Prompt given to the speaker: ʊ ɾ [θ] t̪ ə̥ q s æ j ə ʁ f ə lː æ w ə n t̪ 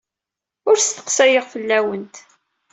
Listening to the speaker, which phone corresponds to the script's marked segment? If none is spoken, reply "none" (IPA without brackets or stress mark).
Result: s